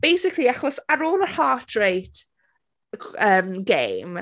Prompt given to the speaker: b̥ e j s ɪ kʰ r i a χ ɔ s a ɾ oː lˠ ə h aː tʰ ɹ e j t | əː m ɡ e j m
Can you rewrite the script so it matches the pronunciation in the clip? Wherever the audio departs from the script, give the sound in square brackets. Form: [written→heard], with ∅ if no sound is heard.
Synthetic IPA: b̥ e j s ɪ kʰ [r→l] i a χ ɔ s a ɾ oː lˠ ə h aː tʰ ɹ e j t | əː m ɡ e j m